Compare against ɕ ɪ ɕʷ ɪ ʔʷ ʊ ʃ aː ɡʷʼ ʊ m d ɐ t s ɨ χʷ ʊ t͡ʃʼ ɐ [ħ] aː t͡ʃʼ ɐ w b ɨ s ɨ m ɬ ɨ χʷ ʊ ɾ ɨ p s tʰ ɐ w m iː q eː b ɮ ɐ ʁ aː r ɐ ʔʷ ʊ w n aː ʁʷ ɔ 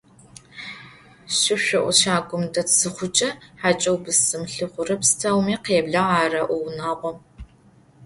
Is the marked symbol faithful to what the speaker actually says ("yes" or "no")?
yes